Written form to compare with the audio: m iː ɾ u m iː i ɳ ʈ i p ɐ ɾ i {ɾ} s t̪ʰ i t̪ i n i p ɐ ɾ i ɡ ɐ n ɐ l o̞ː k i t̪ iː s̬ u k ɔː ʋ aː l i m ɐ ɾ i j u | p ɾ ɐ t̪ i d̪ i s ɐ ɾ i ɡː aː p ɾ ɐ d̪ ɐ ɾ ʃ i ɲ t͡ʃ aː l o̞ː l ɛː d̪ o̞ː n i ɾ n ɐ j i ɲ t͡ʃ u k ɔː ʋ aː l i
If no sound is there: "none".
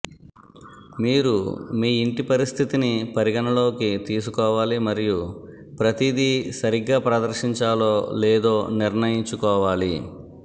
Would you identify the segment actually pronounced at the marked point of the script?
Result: none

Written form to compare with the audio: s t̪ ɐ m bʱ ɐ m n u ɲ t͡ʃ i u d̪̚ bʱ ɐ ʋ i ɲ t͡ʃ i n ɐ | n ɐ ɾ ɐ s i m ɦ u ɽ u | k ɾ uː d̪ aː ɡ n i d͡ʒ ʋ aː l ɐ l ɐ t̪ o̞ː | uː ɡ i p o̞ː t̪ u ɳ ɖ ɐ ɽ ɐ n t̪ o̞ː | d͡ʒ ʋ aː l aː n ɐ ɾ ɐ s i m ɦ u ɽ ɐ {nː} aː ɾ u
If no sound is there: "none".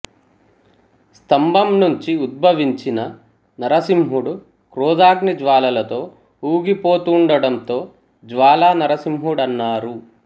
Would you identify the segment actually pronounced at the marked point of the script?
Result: nː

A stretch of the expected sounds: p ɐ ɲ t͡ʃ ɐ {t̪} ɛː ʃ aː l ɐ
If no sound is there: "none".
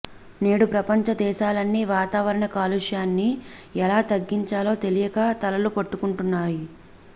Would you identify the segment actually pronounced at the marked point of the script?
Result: d̪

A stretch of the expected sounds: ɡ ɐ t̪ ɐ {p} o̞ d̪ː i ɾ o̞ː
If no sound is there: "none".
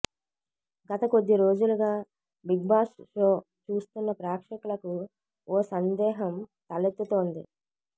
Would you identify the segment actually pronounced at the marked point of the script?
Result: k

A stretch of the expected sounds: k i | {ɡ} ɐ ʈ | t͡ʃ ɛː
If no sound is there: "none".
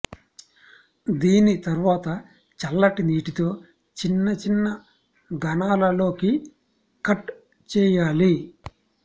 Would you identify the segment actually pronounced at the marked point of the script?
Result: k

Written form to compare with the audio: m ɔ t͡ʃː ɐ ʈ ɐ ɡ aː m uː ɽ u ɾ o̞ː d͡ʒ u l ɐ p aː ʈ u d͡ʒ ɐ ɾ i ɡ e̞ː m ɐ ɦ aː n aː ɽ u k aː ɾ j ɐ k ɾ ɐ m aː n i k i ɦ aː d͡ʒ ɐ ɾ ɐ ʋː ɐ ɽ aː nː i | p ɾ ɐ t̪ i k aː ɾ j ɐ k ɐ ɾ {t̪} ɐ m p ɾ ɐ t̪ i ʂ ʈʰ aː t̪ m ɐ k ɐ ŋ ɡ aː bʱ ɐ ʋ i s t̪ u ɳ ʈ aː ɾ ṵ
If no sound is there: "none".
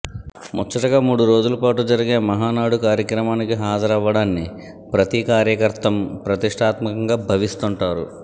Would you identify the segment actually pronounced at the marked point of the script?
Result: t̪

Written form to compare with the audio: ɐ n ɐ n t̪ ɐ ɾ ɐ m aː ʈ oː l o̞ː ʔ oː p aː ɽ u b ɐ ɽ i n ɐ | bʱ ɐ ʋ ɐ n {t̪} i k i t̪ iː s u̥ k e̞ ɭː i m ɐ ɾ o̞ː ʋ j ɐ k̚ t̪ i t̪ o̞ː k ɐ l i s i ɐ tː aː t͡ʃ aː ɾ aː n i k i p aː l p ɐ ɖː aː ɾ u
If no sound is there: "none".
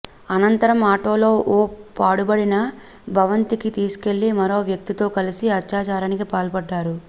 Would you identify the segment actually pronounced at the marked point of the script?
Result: t̪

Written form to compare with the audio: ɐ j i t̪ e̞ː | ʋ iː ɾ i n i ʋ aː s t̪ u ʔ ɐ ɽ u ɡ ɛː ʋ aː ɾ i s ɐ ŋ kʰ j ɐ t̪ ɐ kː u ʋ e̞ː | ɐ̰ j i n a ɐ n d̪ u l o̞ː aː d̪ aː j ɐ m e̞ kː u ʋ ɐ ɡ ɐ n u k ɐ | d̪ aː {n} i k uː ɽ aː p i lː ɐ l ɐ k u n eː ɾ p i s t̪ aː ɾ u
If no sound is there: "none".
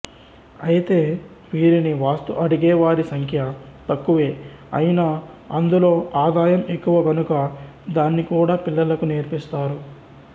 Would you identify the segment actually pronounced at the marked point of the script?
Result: nː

